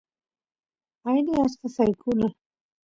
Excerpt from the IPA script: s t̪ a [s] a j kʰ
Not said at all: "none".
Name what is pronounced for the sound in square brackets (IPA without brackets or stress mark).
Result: s